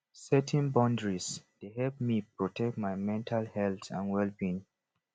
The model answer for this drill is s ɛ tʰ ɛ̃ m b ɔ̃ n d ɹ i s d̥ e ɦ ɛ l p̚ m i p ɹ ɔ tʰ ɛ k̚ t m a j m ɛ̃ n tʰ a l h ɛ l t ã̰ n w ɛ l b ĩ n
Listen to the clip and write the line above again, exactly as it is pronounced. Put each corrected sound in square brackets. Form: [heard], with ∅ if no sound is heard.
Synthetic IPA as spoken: s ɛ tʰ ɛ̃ [n] b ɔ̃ n d ɹ i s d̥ e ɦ ɛ l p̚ m i p ɹ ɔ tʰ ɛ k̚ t m a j m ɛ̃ n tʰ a l h ɛ l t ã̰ n w ɛ l b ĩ n